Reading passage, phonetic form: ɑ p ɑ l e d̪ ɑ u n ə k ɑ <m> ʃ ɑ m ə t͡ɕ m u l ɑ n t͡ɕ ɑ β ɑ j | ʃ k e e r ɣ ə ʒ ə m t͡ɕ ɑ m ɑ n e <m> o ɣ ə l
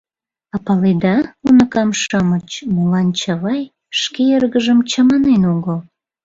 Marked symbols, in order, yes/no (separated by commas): yes, no